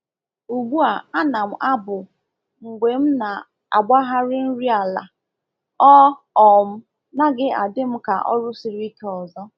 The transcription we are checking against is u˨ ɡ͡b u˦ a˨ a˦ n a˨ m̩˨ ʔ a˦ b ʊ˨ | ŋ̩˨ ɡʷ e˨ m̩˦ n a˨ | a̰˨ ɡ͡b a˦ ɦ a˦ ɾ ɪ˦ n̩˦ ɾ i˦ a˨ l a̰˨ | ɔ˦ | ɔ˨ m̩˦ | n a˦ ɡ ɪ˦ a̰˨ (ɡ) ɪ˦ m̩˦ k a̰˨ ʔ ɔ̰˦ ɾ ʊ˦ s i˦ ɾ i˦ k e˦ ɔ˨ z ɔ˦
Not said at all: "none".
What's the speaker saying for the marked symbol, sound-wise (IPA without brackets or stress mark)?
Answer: d